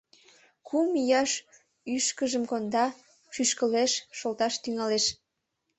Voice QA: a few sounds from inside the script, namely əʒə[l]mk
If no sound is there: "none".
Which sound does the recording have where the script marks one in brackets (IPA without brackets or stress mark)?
none